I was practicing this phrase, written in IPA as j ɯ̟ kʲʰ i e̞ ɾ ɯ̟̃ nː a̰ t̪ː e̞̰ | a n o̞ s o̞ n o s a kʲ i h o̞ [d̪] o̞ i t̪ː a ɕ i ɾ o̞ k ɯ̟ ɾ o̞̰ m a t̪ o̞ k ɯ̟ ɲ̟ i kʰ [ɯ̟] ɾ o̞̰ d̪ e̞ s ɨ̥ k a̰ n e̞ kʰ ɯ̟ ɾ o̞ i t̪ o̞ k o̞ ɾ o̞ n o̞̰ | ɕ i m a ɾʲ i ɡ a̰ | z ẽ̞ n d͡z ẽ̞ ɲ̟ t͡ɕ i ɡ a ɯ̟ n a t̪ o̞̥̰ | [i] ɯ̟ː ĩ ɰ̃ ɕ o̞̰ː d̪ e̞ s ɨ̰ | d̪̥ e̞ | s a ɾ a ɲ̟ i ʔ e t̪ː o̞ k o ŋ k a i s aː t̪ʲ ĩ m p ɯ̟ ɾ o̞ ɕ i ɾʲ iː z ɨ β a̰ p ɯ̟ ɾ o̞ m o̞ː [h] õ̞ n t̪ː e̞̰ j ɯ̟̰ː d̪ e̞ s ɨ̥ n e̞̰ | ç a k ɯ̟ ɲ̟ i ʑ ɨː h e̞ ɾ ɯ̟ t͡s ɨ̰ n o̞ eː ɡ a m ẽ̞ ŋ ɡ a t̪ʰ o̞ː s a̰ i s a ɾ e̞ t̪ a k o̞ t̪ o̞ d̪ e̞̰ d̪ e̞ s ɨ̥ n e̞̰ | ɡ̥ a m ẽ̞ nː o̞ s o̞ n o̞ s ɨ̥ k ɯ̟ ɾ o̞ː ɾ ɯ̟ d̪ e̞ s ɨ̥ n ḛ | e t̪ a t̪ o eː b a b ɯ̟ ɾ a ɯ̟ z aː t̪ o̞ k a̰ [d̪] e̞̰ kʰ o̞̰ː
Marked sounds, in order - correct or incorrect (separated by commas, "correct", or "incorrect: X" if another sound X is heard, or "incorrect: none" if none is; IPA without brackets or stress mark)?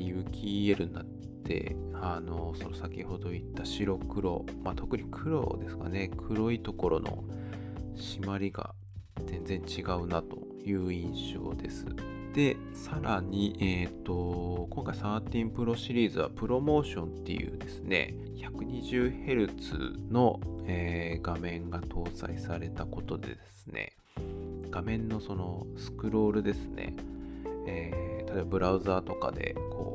correct, correct, incorrect: j, incorrect: ɕ, correct